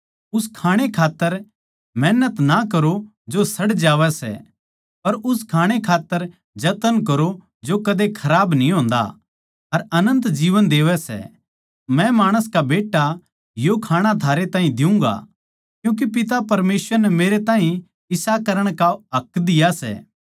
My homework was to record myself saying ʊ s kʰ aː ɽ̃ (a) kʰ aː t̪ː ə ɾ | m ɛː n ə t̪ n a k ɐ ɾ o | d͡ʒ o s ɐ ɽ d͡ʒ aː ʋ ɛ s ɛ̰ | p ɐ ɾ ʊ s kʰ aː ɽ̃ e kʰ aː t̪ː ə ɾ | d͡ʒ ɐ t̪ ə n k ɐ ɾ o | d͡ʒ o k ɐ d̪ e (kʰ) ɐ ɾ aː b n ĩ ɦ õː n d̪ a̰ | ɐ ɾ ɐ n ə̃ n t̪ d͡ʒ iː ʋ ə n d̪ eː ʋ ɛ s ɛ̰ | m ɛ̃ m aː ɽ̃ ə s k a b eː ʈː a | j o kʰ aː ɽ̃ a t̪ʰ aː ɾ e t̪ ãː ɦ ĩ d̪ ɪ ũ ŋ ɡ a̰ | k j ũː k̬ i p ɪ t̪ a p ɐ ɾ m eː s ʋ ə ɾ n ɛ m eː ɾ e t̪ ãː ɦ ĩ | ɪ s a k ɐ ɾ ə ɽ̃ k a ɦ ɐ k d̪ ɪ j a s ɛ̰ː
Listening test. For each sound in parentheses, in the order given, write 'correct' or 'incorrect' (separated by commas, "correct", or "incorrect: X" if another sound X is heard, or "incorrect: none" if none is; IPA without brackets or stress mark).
incorrect: e, correct